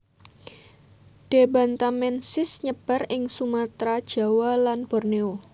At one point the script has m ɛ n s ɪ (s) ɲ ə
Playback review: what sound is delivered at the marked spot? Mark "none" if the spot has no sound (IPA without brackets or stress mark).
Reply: s